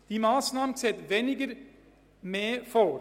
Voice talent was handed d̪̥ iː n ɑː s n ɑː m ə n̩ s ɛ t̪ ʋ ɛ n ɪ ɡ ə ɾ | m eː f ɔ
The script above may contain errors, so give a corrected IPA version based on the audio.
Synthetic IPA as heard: d̪̥ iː m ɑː s n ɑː m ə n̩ s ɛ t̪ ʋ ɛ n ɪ ɡ ə ɾ | m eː f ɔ